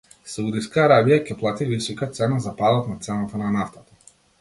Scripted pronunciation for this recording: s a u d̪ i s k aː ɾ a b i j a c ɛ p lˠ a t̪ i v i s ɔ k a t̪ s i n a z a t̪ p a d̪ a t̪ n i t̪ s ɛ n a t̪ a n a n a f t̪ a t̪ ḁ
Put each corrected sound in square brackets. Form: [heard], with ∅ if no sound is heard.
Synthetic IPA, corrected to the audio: s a u d̪ i s k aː ɾ a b i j a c ɛ p lˠ a t̪ i v i s ɔ k a t̪ s [ɛ] n a z a [∅] p a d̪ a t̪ n [a] t̪ s ɛ n a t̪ a n a n a f t̪ a t̪ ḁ